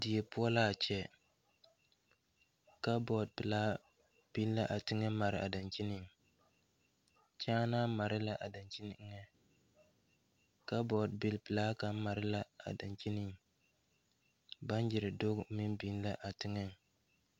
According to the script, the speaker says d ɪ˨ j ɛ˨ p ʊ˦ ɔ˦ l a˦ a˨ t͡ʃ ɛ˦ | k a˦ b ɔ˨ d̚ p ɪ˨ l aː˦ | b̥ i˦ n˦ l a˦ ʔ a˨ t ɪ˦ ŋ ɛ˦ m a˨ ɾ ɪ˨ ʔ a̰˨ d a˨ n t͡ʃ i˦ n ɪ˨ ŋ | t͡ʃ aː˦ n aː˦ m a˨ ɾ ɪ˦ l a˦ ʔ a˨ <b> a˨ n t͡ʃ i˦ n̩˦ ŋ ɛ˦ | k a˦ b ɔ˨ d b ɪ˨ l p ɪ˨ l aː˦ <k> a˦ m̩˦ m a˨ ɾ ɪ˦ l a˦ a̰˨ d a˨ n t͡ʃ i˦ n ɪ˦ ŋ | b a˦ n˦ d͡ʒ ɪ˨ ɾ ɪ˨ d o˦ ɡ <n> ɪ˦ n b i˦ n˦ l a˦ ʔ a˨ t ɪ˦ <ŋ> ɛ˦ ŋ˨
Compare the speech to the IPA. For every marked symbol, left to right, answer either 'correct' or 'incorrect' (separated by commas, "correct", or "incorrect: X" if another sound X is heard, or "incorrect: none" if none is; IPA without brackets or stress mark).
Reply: incorrect: d, correct, incorrect: m, correct